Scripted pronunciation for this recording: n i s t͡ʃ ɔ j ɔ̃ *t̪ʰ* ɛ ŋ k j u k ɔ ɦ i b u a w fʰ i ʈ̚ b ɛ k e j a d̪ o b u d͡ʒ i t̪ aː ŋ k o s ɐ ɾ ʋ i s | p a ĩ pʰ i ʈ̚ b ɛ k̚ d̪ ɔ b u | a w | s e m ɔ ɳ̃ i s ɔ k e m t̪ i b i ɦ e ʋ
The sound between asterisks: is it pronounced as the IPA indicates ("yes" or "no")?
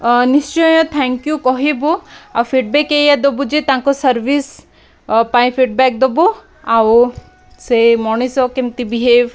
yes